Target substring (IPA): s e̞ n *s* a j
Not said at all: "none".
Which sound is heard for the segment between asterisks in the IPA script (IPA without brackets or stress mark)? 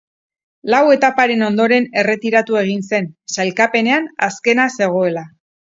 s